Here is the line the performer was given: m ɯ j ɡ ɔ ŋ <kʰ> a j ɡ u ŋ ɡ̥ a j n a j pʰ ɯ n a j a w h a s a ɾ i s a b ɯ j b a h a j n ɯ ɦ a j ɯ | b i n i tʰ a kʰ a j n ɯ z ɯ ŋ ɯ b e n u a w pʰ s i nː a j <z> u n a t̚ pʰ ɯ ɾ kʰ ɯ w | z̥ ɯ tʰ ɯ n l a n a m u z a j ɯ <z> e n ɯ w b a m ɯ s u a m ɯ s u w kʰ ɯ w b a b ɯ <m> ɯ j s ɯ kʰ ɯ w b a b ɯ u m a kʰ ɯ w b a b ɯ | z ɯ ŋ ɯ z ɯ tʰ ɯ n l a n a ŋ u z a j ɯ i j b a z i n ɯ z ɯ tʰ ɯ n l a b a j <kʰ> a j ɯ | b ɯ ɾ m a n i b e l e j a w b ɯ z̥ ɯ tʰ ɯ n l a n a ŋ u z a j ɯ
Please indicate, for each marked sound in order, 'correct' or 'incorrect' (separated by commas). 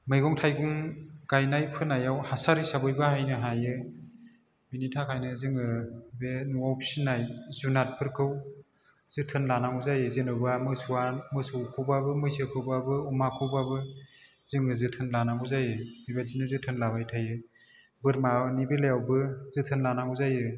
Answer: incorrect, correct, correct, correct, incorrect